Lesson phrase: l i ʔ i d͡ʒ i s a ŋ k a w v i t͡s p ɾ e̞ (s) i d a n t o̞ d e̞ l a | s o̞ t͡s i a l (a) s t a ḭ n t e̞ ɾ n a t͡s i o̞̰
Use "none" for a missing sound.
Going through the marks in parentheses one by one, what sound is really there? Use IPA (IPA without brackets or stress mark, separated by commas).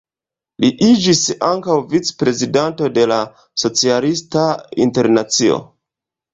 z, i